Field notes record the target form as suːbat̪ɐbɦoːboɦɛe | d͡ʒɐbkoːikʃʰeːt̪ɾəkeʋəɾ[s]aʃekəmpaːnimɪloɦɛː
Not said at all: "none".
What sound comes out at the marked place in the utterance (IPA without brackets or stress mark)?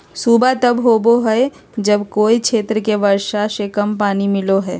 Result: ʃ